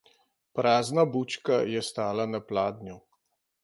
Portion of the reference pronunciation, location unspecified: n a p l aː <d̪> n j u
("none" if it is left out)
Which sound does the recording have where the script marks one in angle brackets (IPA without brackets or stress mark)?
d̪